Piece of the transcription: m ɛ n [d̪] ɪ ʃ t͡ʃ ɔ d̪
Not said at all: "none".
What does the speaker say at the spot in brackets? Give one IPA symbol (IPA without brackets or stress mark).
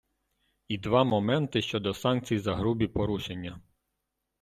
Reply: t̪